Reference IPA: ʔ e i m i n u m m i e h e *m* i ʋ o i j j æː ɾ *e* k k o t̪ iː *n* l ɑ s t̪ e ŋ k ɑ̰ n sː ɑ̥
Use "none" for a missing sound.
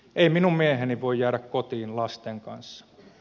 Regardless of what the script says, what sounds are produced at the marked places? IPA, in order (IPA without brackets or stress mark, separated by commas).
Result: n, æ, n